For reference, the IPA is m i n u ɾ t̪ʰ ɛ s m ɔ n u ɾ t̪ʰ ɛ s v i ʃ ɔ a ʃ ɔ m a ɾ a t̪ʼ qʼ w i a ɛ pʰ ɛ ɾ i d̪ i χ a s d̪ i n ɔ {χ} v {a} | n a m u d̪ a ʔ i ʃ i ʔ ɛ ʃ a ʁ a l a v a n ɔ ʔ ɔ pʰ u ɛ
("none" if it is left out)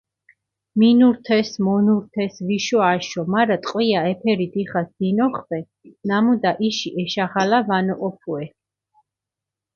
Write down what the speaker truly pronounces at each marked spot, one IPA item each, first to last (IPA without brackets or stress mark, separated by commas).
χ, ɛ